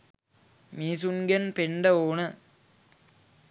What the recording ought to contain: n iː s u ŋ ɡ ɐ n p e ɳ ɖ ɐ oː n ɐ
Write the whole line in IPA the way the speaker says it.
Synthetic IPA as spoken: m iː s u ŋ ɡ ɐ n p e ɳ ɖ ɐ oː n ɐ